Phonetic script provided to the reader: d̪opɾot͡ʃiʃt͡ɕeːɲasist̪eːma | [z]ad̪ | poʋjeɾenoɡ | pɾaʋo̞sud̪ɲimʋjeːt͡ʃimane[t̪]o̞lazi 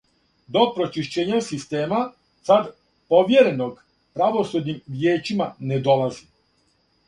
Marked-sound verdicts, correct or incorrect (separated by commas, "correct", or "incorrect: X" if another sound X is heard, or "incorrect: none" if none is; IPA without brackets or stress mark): incorrect: s, incorrect: d̪